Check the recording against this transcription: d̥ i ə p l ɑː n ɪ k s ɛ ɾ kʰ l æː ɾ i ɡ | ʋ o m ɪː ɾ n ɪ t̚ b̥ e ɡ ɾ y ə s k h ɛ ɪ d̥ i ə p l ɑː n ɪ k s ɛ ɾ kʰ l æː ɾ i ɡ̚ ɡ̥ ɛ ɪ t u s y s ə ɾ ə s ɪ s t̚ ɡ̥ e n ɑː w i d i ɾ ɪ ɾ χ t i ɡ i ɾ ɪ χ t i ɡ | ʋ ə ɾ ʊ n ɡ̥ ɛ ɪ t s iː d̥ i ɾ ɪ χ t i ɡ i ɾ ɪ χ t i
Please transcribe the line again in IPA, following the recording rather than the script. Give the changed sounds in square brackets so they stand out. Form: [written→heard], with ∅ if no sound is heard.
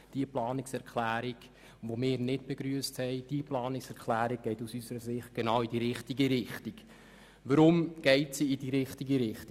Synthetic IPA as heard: d̥ i ə p l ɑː n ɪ k s ɛ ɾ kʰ l æː ɾ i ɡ | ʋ o m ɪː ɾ n ɪ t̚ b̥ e ɡ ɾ y ə s [k→t] h ɛ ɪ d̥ i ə p l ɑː n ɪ k s ɛ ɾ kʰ l æː ɾ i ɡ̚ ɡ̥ ɛ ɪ t u s y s ə ɾ ə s ɪ [s→χ] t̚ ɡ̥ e n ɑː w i d i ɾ ɪ [ɾ→∅] χ t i ɡ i ɾ ɪ χ t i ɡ | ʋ ə ɾ ʊ [n→m] ɡ̥ ɛ ɪ t s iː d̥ i ɾ ɪ χ t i ɡ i ɾ ɪ χ t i